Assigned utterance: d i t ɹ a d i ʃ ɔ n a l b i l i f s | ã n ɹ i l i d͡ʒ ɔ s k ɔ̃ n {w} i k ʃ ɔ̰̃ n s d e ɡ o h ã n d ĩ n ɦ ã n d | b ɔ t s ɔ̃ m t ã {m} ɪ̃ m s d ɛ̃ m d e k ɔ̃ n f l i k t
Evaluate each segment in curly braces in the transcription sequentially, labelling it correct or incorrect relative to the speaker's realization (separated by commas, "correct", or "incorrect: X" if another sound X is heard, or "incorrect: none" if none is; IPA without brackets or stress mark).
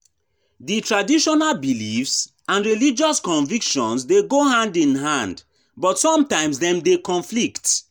incorrect: v, incorrect: none